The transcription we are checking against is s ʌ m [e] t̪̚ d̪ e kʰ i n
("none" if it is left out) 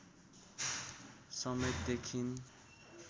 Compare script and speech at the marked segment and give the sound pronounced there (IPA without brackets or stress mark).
e